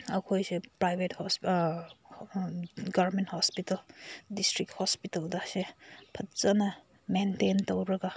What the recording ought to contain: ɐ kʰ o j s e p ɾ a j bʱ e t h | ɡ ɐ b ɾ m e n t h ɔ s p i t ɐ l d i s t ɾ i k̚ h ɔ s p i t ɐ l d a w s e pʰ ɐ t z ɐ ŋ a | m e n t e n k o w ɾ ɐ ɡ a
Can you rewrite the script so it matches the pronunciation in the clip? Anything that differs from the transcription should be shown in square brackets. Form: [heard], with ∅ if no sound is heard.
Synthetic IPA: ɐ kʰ o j s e p ɾ a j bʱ e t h | ɡ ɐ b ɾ m e n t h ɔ s p i t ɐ l d i s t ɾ i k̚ h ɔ s p i t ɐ l d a [∅] s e pʰ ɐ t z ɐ [n] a | m e n t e n [t] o w ɾ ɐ ɡ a